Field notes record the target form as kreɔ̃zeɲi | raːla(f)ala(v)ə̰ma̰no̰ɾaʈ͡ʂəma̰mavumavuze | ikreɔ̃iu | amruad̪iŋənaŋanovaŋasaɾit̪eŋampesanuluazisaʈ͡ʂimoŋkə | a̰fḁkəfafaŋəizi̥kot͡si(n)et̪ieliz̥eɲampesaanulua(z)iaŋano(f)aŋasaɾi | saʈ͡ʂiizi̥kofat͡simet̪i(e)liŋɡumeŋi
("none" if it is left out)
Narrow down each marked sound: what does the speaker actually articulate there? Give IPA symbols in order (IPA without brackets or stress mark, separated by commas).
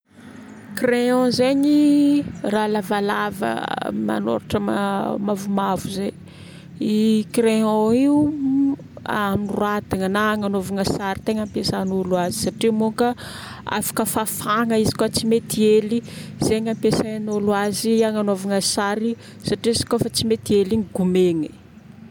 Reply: v, v, m, z, v, e